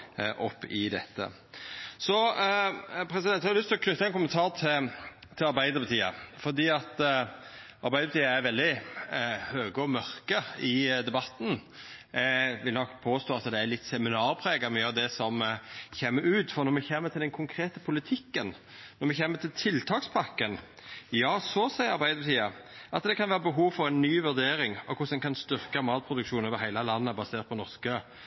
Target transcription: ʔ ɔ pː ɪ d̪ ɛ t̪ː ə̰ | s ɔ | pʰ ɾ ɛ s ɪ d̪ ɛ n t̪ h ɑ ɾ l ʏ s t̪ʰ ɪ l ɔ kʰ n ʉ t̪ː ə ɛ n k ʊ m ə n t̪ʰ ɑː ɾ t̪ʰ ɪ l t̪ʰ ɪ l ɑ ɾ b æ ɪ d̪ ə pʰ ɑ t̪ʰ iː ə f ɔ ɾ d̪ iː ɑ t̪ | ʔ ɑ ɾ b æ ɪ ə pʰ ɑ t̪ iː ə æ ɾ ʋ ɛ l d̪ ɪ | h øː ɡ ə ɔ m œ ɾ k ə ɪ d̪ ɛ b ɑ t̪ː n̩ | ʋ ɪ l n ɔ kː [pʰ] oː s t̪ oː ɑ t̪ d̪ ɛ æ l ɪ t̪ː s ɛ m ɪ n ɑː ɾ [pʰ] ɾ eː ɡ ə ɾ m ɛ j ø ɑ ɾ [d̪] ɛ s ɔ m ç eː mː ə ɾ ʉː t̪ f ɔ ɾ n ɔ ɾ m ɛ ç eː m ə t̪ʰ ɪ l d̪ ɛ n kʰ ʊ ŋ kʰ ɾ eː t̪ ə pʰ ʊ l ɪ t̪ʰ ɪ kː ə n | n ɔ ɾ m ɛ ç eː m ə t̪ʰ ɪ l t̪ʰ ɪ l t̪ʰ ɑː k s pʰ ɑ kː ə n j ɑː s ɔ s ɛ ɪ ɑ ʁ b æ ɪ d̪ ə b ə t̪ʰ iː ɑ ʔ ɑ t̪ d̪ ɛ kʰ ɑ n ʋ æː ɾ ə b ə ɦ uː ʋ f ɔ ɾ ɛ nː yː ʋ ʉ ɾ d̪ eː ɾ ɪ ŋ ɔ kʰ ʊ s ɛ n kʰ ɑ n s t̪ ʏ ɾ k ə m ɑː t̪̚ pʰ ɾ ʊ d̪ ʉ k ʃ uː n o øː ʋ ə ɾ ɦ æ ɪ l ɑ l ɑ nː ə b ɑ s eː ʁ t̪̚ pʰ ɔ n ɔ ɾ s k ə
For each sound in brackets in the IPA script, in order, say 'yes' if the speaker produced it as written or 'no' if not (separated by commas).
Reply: yes, yes, yes